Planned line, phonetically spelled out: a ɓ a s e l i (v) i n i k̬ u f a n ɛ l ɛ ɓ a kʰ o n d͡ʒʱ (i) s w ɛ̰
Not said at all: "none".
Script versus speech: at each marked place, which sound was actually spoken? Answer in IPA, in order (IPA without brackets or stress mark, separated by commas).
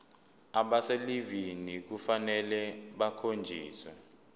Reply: v, iː